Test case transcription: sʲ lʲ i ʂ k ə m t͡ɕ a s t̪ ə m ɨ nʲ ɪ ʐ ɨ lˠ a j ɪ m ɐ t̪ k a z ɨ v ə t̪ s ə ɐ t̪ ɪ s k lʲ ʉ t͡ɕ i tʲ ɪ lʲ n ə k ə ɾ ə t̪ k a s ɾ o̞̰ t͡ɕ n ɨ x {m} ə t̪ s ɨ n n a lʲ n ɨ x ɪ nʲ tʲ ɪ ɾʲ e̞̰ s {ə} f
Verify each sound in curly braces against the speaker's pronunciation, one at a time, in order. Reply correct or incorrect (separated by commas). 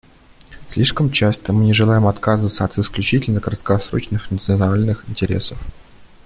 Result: incorrect, correct